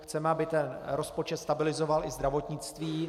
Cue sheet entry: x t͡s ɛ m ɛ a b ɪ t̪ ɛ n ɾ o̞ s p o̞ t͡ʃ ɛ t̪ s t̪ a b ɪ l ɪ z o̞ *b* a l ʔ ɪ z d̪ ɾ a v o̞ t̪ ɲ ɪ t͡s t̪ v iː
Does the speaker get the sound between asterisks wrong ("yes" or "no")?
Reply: yes